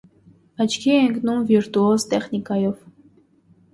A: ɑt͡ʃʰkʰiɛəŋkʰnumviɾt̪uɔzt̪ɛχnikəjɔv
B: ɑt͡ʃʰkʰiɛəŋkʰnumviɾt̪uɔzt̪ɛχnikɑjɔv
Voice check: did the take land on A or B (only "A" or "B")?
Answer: B